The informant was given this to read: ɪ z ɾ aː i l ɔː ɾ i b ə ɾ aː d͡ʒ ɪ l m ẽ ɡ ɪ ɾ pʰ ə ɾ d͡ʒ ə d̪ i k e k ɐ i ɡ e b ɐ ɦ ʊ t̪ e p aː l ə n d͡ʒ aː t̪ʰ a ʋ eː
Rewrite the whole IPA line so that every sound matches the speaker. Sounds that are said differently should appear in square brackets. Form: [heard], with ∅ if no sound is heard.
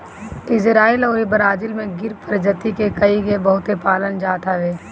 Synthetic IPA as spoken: ɪ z ɾ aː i l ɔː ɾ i b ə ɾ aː d͡ʒ ɪ l m ẽ ɡ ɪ ɾ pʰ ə ɾ d͡ʒ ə [t̪] i k e k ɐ i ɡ e b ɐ ɦ ʊ t̪ e p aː l ə n d͡ʒ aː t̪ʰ a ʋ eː

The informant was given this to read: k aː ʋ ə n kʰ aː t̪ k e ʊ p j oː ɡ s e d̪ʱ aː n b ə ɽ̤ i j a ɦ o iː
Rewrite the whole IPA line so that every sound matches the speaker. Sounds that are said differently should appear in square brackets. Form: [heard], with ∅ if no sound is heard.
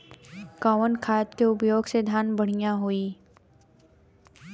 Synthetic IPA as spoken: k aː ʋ ə n kʰ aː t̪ k e ʊ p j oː ɡ s e d̪ʱ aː n b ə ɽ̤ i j a ɦ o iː

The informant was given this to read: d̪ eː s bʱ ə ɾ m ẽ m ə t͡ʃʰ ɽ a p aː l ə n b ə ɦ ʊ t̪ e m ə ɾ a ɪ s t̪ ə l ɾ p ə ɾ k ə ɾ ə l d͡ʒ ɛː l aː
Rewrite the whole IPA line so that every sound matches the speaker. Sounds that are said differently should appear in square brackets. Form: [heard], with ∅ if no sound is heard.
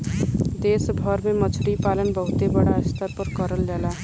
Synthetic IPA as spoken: d̪ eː s bʱ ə ɾ m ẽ m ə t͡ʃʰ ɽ [i] p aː l ə n b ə ɦ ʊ t̪ e [b] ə [ɽ] a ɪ s t̪ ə [∅] ɾ p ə ɾ k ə ɾ ə l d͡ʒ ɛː l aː

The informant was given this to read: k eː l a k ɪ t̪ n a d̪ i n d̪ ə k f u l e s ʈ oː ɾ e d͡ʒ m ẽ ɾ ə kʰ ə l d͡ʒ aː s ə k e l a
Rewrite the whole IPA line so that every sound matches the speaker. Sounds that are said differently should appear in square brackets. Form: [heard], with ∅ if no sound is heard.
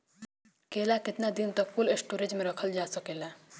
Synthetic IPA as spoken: k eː l a k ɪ t̪ n a d̪ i n [t̪] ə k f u l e s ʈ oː ɾ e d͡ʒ m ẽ ɾ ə kʰ ə l d͡ʒ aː s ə k e l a

